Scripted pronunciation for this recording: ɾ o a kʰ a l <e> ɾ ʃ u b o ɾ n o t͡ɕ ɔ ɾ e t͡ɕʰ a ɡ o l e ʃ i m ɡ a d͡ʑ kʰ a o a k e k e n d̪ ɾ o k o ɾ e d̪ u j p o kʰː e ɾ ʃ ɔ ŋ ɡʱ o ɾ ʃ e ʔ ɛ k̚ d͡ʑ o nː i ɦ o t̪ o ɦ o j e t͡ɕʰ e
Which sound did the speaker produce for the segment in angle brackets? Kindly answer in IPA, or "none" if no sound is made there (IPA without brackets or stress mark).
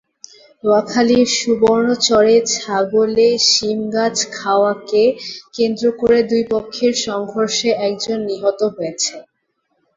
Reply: i